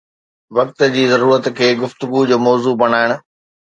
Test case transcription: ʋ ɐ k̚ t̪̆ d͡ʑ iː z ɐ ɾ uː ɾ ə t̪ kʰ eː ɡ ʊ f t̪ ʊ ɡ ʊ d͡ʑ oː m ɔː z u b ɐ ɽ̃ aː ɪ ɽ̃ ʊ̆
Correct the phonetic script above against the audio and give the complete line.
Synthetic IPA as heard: ʋ ɐ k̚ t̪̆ d͡ʑ iː z ɐ ɾ uː ɾ ə t̪ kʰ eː ɡ ʊ f t̪ ʊ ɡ u d͡ʑ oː m ɔː z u b ɐ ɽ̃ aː ɪ ɽ̃ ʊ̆